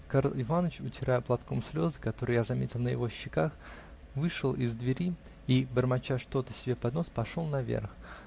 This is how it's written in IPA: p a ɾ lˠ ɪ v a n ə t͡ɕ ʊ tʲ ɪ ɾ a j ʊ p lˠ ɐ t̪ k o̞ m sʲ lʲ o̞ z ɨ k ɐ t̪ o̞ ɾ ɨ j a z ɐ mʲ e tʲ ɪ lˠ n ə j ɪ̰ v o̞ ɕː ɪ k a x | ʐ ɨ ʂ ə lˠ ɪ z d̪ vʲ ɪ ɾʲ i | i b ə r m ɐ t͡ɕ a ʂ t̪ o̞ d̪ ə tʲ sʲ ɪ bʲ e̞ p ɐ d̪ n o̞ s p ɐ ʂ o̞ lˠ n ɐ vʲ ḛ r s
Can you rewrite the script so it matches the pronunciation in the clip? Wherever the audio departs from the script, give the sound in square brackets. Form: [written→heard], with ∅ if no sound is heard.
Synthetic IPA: [p→k] a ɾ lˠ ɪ v a n ə t͡ɕ ʊ tʲ ɪ ɾ a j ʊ p lˠ ɐ t̪ k o̞ m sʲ lʲ o̞ z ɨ k ɐ t̪ o̞ ɾ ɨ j a z ɐ mʲ e tʲ ɪ lˠ n ə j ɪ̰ v o̞ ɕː ɪ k a x | [ʐ→v] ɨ ʂ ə lˠ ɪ z d̪ vʲ ɪ ɾʲ i | i b ə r m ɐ t͡ɕ a ʂ t̪ o̞ [d̪→t̪] ə [tʲ→∅] sʲ ɪ bʲ e̞ p ɐ d̪ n o̞ s p ɐ ʂ o̞ lˠ n ɐ vʲ ḛ r [s→x]